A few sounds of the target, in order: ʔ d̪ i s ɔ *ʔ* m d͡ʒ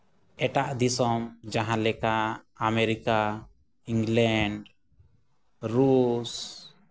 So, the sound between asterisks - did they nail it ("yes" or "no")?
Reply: no